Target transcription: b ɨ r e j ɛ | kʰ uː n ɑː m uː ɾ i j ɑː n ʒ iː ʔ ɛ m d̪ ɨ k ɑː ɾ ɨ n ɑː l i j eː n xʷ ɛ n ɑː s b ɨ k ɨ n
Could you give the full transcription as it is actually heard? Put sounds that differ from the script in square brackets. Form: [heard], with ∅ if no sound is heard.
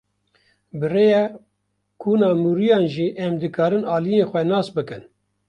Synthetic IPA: b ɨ r e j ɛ | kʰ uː n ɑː m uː ɾ i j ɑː n ʒ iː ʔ ɛ m d̪ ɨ k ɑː ɾ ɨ n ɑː l i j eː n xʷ ɛ n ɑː s b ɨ k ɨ n

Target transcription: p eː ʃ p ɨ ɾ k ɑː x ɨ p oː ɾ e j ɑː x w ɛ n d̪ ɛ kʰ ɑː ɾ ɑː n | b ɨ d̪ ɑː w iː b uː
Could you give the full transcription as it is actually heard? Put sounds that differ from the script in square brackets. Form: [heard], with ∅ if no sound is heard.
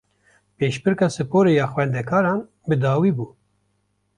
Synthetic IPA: p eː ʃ p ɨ ɾ k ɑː [s] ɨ p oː ɾ e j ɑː x w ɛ n d̪ ɛ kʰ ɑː ɾ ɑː n | b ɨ d̪ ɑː w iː b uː

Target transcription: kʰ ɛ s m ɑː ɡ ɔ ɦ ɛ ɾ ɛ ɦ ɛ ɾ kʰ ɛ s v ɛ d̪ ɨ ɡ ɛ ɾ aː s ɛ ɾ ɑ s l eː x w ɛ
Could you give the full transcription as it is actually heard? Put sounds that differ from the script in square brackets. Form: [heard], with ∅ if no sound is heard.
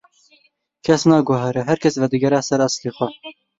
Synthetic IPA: kʰ ɛ s [n] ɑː ɡ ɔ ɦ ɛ ɾ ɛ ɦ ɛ ɾ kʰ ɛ s v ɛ d̪ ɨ ɡ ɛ ɾ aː s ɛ ɾ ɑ s l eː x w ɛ

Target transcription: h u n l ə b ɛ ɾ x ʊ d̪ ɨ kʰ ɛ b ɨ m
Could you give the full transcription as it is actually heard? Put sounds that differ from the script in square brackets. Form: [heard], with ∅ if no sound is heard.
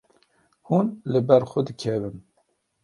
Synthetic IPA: h u n l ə b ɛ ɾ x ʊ d̪ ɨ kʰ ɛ [v] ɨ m

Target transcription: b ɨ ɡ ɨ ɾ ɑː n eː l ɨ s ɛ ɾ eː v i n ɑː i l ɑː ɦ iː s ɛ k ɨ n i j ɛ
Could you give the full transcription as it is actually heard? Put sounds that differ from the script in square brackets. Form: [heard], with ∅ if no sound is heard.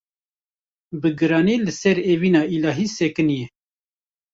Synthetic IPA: b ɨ ɡ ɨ ɾ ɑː n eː l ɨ s ɛ ɾ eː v i n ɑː i l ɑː ɦ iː s ɛ k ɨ n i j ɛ

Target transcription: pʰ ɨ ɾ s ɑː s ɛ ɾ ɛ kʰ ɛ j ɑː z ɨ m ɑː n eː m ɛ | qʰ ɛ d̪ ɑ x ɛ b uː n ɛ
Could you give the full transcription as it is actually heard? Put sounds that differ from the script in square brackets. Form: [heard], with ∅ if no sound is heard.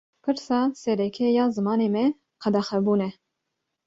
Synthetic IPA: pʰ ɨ ɾ s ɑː s ɛ ɾ ɛ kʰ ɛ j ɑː z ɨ m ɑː n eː m ɛ | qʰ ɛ d̪ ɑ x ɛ b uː n ɛ

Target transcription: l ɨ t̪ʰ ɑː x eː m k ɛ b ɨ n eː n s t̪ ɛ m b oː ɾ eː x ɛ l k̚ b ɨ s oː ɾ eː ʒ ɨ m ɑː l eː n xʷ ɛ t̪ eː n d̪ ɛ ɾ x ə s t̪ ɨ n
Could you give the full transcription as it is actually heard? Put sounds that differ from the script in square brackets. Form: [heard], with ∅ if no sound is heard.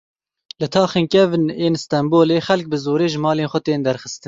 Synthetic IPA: l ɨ t̪ʰ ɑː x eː [n] k ɛ [v] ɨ n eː n s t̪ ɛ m b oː [l] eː x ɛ l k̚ b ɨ [z] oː ɾ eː ʒ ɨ m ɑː l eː n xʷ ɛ t̪ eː n d̪ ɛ ɾ x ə s t̪ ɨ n

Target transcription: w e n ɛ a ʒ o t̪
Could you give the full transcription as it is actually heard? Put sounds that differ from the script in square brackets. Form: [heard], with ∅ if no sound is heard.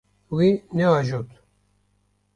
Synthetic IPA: w [i] n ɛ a ʒ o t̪

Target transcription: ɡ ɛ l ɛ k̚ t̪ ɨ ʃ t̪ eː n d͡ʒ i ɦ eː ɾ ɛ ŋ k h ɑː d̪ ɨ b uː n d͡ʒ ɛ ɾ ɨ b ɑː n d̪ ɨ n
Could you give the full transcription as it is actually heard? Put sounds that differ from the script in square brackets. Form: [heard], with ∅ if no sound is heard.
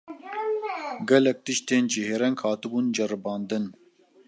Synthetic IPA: ɡ ɛ l ɛ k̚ t̪ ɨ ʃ t̪ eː n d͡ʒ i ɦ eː ɾ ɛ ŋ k h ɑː [t̪] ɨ b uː n d͡ʒ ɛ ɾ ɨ b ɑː n d̪ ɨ n

